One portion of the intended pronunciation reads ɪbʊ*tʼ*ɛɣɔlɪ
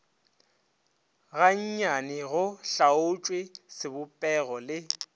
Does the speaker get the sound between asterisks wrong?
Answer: yes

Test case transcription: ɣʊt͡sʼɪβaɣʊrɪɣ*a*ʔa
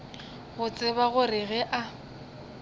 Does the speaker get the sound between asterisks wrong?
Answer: yes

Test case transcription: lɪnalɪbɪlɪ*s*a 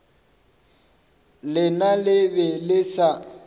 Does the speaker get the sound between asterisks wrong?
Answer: no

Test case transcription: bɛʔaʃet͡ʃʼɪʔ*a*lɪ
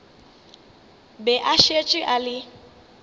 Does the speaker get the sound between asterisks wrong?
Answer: no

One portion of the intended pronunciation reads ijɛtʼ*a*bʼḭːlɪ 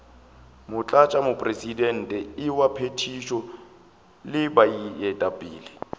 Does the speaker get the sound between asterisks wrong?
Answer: no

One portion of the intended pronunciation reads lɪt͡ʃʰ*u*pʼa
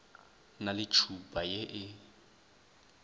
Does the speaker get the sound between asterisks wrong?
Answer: no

